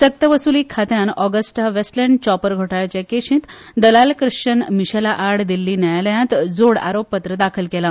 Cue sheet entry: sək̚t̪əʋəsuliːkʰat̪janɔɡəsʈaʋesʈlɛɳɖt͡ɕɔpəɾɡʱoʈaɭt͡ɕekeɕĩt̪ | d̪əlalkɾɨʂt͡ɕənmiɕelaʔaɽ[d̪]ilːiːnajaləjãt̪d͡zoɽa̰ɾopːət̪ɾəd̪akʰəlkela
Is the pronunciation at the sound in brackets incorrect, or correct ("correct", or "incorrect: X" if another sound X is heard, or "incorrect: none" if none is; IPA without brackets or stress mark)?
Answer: correct